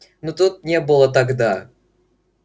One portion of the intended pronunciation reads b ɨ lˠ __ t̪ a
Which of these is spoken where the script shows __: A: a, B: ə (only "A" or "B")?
B